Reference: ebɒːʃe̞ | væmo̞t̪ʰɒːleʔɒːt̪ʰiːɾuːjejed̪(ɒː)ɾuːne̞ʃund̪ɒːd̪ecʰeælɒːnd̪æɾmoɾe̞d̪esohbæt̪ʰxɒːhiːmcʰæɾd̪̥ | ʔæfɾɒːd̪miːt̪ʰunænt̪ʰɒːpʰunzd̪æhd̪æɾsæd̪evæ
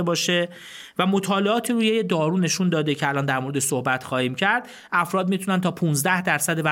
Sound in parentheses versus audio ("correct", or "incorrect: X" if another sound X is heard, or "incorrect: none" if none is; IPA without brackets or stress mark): correct